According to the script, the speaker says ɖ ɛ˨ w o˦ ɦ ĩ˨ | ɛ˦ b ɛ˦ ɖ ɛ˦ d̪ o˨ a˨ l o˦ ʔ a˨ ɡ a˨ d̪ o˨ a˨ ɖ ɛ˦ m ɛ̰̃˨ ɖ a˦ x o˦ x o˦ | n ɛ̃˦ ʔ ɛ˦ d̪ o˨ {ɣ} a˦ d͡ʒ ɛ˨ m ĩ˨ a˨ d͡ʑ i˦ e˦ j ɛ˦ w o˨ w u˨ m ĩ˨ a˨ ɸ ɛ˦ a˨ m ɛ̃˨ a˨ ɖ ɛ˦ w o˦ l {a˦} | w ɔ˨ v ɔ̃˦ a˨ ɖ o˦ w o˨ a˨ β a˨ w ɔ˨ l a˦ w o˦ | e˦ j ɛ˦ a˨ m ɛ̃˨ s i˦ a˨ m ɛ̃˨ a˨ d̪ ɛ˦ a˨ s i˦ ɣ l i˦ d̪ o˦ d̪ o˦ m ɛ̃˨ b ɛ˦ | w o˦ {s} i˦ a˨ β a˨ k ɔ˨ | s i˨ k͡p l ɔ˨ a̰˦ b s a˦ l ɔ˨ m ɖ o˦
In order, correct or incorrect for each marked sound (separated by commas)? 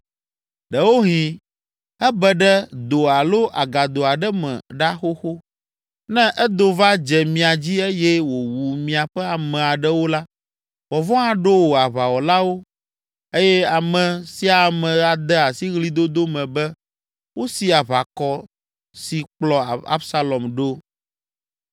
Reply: incorrect, correct, correct